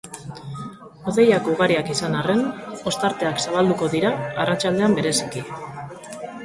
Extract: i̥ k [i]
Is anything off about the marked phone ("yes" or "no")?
no